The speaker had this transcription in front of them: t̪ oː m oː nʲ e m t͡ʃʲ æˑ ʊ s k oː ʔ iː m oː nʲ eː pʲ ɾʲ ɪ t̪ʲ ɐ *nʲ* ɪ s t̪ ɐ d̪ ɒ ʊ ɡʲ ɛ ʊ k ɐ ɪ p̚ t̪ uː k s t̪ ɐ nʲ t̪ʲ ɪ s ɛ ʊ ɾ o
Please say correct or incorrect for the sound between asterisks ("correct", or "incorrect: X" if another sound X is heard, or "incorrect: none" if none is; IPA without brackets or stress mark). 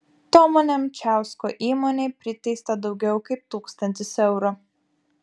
incorrect: none